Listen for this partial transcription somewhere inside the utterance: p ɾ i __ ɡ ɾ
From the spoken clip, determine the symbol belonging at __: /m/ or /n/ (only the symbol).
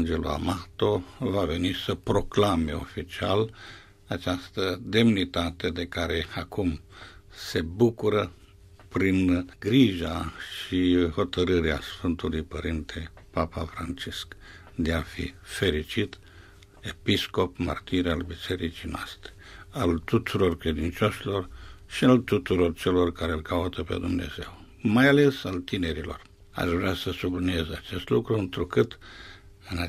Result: n